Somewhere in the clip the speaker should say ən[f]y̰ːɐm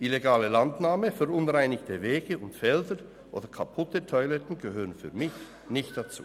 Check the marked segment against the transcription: correct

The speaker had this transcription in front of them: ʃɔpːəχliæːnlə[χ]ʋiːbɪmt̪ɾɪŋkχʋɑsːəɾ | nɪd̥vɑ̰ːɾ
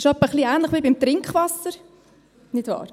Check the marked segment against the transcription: correct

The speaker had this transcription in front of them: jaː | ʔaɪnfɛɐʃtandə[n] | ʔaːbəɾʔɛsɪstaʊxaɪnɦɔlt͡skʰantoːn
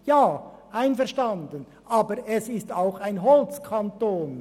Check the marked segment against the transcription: correct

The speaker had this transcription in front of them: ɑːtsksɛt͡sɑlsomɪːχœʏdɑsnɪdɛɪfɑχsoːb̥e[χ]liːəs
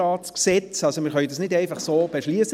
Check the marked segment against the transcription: incorrect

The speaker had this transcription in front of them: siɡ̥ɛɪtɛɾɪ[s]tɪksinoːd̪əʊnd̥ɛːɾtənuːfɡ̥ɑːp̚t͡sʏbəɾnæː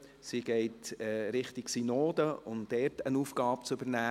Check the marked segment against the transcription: incorrect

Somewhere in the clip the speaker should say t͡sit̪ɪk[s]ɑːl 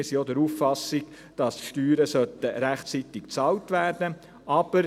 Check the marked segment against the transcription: incorrect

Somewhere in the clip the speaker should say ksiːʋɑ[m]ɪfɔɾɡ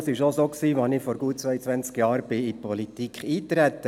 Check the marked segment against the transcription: incorrect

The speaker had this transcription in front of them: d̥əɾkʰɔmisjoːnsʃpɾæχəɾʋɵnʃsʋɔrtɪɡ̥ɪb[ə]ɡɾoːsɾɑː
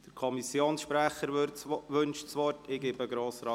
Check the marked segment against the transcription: correct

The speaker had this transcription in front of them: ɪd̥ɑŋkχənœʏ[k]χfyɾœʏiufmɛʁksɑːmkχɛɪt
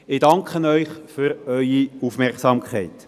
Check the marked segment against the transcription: incorrect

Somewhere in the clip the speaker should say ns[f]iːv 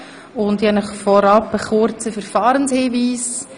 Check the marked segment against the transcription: incorrect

